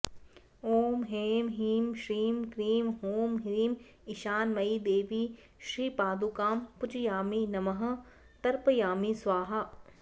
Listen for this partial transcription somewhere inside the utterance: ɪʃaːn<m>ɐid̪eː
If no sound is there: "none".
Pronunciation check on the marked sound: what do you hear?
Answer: m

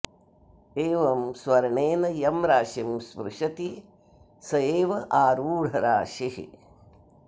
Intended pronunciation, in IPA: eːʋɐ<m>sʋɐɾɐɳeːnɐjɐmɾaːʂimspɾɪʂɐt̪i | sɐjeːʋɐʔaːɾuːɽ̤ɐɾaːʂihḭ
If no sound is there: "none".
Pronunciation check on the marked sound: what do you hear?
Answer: m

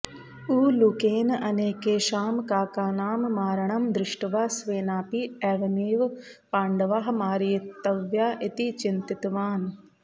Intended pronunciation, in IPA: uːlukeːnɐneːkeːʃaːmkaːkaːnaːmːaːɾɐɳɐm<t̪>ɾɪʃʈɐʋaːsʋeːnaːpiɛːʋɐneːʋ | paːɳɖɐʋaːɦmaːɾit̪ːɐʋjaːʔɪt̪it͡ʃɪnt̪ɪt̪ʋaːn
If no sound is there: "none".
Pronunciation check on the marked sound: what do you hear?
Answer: d̪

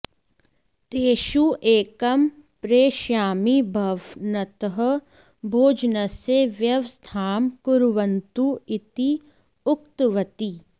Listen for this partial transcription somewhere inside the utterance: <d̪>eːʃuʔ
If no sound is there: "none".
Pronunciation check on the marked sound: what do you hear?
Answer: t̪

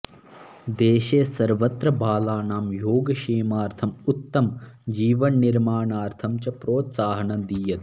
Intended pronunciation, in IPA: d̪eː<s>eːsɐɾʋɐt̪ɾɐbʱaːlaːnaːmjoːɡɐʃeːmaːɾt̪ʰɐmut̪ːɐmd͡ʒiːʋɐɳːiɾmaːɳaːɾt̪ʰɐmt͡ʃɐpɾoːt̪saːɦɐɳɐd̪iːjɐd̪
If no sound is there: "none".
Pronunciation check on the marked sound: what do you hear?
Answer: ʃ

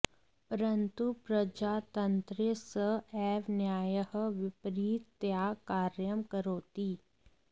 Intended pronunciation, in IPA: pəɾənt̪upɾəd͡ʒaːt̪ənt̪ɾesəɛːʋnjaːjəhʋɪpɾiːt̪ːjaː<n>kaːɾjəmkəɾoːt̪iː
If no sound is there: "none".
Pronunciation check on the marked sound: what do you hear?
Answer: none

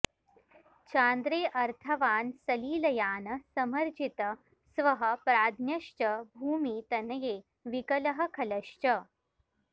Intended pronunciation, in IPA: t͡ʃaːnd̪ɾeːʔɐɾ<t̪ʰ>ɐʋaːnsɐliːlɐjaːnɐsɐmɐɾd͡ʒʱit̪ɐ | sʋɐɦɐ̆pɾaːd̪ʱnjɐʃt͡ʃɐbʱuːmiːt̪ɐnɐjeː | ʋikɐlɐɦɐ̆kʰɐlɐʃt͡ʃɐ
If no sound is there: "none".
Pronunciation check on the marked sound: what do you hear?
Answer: t̪ʰ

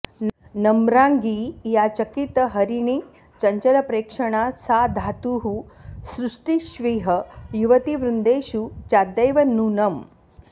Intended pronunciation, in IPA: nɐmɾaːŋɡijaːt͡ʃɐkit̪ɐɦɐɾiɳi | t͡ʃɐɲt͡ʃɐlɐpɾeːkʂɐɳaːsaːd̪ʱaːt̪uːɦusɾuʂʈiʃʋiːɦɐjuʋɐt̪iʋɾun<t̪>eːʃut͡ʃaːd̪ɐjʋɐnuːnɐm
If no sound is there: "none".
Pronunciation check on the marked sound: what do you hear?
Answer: d̪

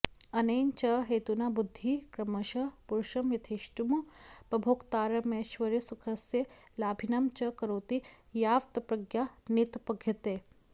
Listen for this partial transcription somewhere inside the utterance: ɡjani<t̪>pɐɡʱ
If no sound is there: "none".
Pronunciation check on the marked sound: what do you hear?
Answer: t̪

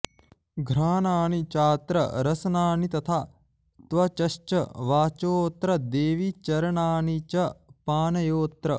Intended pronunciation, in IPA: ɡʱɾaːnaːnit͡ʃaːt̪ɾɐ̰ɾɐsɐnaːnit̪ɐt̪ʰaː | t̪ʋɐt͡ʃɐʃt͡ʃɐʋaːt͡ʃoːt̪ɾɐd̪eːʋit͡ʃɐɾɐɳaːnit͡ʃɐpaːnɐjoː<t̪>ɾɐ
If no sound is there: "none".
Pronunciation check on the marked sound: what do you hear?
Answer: t̪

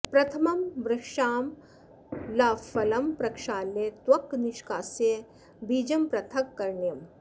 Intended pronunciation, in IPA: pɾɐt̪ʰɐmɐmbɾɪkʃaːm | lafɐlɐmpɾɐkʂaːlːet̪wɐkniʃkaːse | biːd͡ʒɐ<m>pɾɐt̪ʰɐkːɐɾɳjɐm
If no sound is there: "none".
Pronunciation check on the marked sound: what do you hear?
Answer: m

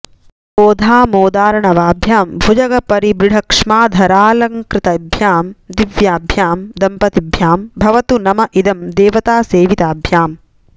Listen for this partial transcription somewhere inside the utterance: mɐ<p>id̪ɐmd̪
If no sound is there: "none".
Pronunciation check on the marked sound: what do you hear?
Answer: ʔ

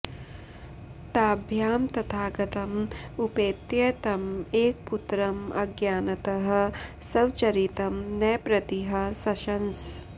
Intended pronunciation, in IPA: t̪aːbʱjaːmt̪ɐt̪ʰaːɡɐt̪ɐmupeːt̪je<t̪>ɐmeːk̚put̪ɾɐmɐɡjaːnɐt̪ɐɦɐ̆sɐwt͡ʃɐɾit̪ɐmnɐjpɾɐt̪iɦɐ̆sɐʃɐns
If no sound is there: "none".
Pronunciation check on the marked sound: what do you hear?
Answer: t̪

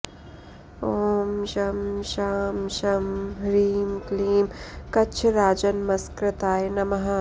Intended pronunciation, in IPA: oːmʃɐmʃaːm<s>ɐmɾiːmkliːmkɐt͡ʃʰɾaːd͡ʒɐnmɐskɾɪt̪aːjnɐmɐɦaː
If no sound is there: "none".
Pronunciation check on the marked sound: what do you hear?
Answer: ʃ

